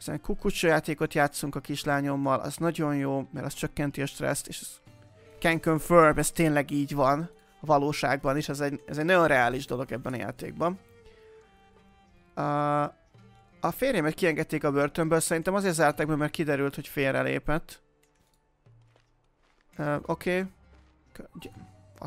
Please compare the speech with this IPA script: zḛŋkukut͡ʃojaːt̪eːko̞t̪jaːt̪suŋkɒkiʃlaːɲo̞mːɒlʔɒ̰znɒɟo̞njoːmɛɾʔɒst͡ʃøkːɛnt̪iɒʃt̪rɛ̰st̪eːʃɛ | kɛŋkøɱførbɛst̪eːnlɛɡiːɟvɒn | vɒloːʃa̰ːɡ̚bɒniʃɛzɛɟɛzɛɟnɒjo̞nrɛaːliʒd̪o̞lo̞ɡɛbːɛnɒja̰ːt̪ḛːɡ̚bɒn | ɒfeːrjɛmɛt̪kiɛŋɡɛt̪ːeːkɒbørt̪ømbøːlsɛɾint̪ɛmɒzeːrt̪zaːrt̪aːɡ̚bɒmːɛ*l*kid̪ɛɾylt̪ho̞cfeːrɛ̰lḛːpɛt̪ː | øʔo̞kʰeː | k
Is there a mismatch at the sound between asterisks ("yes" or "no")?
yes